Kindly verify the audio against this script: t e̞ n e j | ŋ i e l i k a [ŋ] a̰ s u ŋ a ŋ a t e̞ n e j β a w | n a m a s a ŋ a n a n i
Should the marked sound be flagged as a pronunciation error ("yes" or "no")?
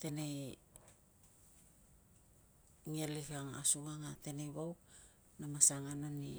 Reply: no